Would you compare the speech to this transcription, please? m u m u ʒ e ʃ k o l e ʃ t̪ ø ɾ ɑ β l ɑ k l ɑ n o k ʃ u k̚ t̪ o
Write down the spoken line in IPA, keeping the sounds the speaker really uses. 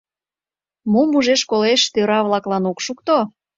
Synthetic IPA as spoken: m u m u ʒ e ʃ k o l e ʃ t̪ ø ɾ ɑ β l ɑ k l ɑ n o k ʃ u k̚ t̪ o